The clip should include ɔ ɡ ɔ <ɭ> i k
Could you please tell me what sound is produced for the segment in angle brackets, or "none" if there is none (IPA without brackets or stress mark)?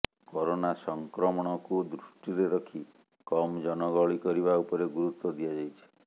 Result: ɭ